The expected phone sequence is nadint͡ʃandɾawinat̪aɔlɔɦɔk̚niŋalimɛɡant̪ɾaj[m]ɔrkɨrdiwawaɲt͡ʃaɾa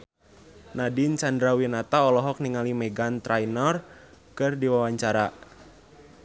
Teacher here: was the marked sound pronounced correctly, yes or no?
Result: no